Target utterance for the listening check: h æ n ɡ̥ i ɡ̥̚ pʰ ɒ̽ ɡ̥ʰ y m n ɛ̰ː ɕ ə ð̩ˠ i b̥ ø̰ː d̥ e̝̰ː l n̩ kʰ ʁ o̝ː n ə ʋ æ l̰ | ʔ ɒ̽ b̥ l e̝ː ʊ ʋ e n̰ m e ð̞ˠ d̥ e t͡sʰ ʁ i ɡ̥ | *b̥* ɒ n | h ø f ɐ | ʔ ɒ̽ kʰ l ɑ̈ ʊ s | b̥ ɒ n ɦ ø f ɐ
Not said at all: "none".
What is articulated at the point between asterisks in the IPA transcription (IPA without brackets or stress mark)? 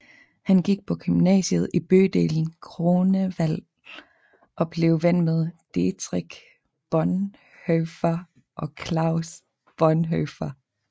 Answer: b̥